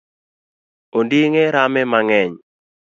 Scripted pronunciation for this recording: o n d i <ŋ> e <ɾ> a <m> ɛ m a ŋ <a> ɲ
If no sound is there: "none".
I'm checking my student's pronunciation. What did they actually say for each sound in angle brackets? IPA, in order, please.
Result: ŋ, ɾ, m, ɛ

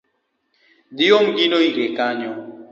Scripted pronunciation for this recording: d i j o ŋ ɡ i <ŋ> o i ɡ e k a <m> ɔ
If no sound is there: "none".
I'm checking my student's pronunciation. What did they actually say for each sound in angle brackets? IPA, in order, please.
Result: n, ɲ

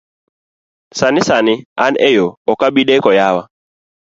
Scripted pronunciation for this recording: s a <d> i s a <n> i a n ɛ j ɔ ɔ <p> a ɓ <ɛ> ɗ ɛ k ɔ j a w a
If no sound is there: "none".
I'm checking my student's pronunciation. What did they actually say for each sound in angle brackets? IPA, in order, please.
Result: n, n, k, i

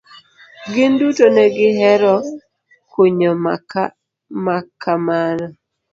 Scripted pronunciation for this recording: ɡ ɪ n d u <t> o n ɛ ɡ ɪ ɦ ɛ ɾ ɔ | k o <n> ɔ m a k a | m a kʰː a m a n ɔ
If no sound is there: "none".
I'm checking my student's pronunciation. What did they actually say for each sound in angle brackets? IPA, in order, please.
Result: t, ɲ

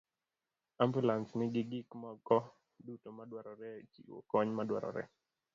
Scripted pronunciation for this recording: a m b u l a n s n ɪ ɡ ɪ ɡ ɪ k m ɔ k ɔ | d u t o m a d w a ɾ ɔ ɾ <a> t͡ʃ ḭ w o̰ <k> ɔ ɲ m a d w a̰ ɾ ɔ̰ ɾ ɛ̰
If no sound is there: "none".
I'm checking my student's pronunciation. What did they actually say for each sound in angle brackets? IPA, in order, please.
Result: ɛ, k

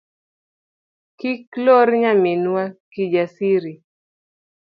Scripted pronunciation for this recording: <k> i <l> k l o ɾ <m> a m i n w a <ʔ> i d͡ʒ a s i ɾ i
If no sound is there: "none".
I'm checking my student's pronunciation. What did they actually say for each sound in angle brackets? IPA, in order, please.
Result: k, none, ɲ, k

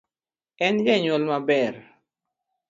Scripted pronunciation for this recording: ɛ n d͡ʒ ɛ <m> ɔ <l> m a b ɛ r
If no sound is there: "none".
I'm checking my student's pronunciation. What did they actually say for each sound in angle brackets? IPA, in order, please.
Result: ɲ, l

